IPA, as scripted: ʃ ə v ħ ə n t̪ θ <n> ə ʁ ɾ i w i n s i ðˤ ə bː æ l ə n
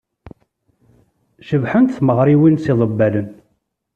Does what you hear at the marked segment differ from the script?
yes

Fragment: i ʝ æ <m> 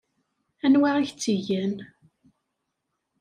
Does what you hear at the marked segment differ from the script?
yes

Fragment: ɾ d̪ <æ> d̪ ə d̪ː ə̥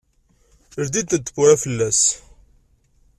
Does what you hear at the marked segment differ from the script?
yes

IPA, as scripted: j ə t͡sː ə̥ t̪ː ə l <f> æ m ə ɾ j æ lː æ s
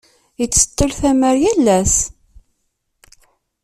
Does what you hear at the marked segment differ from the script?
yes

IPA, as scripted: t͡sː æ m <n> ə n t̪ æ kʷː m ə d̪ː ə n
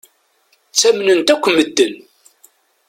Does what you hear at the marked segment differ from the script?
no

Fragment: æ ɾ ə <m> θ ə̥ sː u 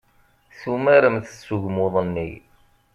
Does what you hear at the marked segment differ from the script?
no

